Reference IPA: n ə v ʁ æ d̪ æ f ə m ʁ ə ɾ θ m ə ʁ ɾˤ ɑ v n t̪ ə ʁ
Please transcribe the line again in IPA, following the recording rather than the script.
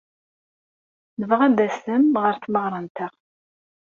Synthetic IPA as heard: n ə v ʁ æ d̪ æ s ə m ʁ ə ɾ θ m ə ʁ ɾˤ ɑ n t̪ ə ʁ